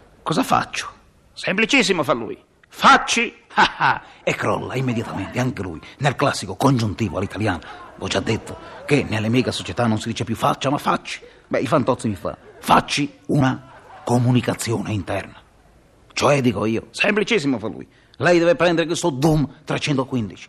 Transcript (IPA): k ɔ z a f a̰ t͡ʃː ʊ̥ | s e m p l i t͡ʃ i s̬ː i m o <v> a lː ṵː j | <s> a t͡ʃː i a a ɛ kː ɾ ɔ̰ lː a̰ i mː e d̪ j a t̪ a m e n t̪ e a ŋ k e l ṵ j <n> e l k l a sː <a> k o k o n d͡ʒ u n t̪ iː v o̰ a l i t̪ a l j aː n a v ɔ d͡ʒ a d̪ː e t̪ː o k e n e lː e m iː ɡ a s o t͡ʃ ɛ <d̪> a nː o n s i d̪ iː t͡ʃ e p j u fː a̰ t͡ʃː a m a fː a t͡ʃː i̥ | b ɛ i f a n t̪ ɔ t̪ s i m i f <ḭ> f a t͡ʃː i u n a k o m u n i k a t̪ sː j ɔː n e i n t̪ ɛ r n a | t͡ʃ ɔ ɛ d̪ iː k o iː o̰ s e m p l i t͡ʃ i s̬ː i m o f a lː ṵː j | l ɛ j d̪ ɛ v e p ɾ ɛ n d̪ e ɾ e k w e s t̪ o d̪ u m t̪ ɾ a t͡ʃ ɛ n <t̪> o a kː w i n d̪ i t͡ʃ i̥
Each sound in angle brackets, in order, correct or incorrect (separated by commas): incorrect, incorrect, correct, incorrect, incorrect, incorrect, correct